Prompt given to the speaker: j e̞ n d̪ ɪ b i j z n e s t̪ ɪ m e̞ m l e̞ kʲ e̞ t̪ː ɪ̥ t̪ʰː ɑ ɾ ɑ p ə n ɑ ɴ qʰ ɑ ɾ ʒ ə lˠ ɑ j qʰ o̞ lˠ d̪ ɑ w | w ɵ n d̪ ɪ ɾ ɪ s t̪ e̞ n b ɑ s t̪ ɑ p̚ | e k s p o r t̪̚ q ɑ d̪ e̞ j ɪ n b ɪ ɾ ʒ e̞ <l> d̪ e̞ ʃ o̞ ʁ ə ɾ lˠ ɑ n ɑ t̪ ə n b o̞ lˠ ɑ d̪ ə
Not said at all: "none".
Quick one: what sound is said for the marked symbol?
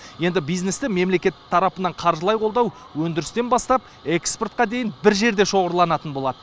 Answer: ɾ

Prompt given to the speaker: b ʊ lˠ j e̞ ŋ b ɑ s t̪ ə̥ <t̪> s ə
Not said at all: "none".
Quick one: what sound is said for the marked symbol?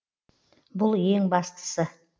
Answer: none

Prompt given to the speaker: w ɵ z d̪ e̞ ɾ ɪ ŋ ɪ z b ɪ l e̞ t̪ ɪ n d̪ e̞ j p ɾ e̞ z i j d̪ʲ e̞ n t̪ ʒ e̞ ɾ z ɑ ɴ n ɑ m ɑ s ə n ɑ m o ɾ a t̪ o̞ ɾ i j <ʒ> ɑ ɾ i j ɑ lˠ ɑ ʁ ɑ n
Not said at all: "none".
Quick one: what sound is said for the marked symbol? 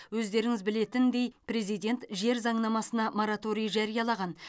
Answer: ʒ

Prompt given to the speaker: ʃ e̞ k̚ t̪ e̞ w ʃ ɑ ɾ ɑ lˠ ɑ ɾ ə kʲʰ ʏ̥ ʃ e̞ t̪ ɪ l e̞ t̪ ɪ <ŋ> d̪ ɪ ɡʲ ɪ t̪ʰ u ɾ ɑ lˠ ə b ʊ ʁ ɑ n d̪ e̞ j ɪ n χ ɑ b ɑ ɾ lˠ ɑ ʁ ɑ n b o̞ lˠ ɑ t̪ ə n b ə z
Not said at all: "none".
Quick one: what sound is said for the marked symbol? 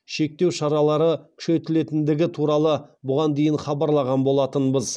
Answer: n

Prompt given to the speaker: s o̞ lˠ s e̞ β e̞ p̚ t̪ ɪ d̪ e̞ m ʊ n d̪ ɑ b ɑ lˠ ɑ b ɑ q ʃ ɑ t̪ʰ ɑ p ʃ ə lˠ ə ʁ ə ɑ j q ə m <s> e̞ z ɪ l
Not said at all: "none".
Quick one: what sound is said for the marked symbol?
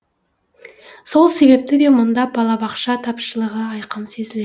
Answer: s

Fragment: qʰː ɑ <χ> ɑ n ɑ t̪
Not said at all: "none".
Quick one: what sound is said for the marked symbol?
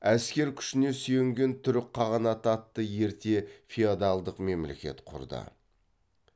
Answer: ʁ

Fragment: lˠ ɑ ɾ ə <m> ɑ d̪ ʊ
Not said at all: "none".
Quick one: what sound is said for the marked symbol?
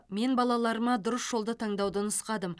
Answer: m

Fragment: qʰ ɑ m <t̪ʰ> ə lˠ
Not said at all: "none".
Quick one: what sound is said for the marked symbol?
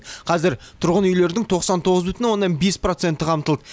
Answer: t̪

